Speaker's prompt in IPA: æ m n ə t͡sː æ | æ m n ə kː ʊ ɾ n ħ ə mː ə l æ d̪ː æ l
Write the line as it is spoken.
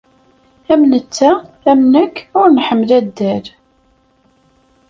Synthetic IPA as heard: æ m n ə t͡sː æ | æ m n ə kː ʊ ɾ n ħ ə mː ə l æ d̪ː æ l